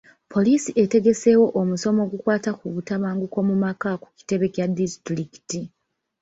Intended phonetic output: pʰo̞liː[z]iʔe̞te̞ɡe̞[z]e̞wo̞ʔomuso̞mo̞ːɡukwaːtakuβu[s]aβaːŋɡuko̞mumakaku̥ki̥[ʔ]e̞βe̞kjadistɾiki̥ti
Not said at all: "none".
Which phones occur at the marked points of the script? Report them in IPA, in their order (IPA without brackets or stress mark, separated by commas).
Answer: s, s, t, t